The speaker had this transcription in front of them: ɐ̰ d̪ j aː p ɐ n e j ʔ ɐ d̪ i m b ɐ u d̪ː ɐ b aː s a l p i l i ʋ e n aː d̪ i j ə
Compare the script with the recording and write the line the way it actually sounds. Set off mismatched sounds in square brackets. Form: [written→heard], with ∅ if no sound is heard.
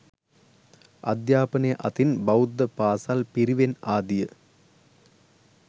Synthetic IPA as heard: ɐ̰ d̪ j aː p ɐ n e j ʔ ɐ [d̪→t̪] i [m→n] b ɐ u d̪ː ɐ [b→p] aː s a l p i [l→ɾ] i ʋ e n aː d̪ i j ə